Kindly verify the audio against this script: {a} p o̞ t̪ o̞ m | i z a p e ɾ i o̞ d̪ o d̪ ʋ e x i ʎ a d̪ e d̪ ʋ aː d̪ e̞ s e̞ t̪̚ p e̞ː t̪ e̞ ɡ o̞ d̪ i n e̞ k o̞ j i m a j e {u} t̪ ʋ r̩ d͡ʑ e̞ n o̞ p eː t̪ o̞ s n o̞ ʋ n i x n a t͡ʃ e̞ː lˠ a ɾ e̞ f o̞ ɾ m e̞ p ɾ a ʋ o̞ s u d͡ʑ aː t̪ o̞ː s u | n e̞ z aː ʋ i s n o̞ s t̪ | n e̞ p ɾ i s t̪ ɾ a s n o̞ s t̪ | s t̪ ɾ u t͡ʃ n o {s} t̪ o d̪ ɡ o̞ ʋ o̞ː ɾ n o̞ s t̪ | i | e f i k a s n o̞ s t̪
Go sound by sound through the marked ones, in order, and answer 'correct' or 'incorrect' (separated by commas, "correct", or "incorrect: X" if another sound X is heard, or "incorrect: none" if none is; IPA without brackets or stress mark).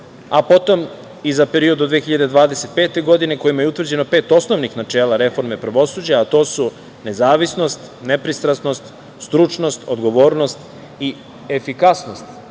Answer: correct, correct, correct